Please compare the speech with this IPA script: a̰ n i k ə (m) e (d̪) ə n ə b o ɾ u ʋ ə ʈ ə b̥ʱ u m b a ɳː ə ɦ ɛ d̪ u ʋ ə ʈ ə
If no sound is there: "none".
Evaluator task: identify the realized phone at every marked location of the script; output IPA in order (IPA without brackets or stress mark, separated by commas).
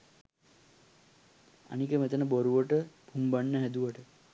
m, t̪